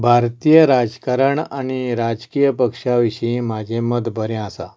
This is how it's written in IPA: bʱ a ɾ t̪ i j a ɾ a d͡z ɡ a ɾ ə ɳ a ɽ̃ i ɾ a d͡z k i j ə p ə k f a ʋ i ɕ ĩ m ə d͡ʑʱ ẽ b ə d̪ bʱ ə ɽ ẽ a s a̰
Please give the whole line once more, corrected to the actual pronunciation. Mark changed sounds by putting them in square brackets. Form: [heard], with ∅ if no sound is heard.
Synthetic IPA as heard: bʱ a ɾ t̪ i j [ə] ɾ a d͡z [k] a ɾ ə ɳ a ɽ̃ i ɾ a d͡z k i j ə p ə k [ʂ] a ʋ i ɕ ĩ m [a] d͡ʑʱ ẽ [m] ə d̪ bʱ ə [ɾ] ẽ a s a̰